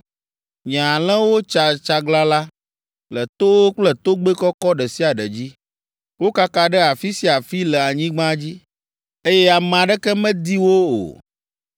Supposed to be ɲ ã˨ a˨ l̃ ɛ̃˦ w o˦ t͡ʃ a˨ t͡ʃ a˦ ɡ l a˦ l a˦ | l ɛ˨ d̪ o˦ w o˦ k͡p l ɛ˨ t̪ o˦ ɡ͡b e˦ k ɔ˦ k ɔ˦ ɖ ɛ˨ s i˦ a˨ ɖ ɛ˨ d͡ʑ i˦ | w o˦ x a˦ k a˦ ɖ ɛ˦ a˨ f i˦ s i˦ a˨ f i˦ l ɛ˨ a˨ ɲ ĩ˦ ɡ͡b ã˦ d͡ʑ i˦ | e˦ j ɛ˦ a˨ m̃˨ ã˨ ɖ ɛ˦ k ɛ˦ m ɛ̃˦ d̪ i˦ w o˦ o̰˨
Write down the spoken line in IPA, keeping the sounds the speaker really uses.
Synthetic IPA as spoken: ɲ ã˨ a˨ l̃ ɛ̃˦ w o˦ t͡ʃ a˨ t͡ʃ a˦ ɡ l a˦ l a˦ | l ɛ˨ t̪ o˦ w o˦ k͡p l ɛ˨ t̪ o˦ ɡ͡b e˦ k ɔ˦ k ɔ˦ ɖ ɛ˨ s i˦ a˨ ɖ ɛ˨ d͡ʑ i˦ | w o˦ k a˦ k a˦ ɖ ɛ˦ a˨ f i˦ s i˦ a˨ f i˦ l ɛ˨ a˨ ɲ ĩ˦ ɡ͡b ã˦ d͡ʑ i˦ | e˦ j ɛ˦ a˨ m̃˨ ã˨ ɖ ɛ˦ k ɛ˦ m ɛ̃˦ d̪ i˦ w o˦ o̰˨